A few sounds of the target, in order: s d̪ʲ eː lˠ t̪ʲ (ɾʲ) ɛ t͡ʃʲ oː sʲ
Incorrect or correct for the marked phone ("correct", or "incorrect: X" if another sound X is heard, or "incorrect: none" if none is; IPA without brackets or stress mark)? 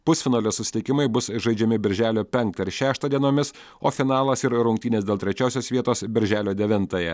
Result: correct